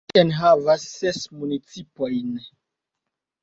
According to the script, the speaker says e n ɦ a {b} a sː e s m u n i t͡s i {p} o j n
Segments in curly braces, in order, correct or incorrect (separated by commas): incorrect, correct